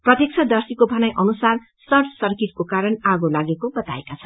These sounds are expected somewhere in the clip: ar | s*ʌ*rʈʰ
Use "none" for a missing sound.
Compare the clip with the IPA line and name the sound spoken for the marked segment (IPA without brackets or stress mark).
ʌ